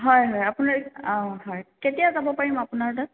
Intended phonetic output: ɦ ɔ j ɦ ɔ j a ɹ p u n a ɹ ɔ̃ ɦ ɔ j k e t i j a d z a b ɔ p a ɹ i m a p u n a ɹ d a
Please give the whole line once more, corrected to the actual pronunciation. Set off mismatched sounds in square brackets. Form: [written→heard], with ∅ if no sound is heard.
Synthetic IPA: ɦ ɔ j ɦ ɔ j a [ɹ→∅] p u n a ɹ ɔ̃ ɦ ɔ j k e t i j a [d→∅] z a b ɔ p a ɹ i m a p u n a ɹ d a